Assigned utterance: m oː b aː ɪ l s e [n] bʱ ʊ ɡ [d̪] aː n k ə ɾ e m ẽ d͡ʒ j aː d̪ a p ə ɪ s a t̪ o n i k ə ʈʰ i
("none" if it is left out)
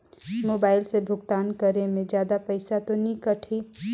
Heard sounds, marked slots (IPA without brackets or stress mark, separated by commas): none, t̪